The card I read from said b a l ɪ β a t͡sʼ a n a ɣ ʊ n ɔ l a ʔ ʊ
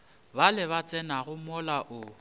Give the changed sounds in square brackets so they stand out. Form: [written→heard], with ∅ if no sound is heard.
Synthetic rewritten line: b a l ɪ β a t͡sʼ [a→ɛ] n a ɣ ʊ [n→m] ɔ l a ʔ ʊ